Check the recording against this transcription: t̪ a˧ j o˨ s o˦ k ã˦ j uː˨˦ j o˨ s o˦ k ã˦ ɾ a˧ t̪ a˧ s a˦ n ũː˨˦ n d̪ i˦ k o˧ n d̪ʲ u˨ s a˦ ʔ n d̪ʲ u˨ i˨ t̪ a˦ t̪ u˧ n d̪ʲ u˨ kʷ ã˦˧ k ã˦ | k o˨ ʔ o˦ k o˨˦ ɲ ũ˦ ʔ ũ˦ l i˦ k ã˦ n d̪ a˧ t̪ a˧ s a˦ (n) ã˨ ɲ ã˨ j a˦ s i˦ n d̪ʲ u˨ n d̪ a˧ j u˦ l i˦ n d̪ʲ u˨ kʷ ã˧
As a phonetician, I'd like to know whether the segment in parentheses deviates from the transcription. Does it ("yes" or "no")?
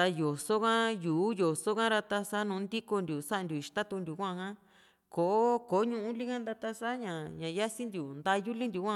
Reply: yes